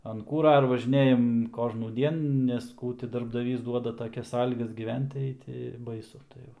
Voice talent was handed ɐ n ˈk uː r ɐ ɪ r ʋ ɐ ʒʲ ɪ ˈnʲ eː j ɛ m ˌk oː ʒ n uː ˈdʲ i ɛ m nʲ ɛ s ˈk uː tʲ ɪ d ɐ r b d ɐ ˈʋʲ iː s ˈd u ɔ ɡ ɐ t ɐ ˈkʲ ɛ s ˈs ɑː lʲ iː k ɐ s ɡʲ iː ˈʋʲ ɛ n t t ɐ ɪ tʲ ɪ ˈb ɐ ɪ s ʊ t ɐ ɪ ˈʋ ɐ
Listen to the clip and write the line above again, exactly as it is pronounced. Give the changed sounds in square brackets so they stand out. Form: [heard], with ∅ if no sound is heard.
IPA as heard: ɐ n ˈk uː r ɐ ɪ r ʋ ɐ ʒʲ ɪ ˈnʲ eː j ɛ m ˌk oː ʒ n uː ˈdʲ i ɛ [n] nʲ ɛ s ˈk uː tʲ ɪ d ɐ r b d ɐ ˈʋʲ iː s ˈd u ɔ [d] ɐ t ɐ ˈkʲ ɛ s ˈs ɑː lʲ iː [ɡ] ɐ s ɡʲ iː ˈʋʲ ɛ n t t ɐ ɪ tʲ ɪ ˈb ɐ ɪ s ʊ t ɐ ɪ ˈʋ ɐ